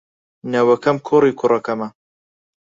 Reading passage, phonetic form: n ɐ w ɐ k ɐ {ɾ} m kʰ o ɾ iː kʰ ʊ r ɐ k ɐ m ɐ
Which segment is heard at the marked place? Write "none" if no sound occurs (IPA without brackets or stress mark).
none